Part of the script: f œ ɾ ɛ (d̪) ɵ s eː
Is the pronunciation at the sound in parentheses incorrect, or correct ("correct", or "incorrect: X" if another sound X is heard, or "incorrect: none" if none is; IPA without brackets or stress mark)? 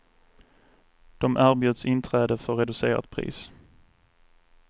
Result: correct